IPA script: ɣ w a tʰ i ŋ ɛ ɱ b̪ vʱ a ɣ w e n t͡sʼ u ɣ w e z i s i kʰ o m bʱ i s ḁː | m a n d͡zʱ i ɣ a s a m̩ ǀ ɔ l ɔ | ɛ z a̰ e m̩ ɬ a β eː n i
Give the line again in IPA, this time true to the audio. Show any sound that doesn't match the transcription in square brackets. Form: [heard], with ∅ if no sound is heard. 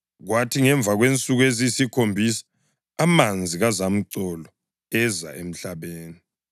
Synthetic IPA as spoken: ɣ w a tʰ i ŋ ɛ ɱ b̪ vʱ a ɣ w e n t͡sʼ u ɣ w e z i s i kʰ o m bʱ i s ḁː | m a n d͡zʱ i ɣ a [z] a m̩ ǀ ɔ l ɔ | ɛ z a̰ e m̩ ɬ a β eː n i